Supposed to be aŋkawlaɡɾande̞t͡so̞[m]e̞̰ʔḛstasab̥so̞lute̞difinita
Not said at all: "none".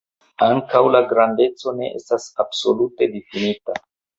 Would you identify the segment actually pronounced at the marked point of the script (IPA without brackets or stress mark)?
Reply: n